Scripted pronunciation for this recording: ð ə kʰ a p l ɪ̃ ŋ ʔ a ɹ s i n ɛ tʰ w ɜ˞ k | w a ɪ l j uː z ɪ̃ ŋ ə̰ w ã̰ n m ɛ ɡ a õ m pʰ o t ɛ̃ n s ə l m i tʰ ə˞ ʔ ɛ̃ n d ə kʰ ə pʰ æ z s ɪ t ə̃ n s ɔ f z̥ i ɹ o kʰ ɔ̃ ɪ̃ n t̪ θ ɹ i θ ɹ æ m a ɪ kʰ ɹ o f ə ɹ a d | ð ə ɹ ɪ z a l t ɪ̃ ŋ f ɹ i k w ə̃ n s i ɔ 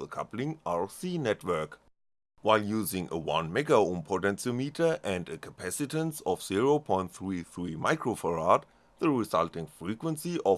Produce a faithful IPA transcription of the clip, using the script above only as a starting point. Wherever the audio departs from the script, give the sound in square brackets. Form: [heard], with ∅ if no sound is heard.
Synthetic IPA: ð ə kʰ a p l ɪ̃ ŋ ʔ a ɹ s i n ɛ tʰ w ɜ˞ k | w a ɪ l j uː z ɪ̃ ŋ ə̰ w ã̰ n m ɛ ɡ a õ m pʰ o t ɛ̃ n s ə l m i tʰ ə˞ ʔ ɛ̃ n d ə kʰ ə pʰ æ [∅] s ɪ t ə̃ n s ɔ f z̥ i ɹ o [pʰ] ɔ̃ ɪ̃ n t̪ θ ɹ i θ ɹ [i] m a ɪ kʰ ɹ o f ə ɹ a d | ð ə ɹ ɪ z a l t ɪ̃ ŋ f ɹ i k w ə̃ n s i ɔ